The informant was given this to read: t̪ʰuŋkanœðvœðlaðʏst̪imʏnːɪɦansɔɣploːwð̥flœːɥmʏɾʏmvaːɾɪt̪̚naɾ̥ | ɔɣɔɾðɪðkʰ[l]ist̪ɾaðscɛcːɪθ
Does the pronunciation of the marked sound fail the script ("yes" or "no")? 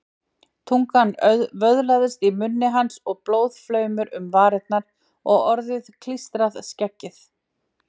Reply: no